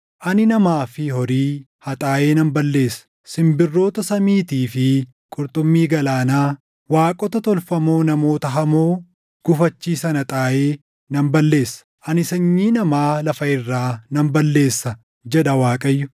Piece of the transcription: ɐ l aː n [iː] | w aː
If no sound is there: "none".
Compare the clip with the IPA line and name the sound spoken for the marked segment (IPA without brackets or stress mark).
aː